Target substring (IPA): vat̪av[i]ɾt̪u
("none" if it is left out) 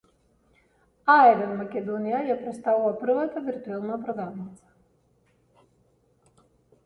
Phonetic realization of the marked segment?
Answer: i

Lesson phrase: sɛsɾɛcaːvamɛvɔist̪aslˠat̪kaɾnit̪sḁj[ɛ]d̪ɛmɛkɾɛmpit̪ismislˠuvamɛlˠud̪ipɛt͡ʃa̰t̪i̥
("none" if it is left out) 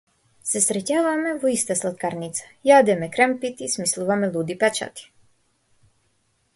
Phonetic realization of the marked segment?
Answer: a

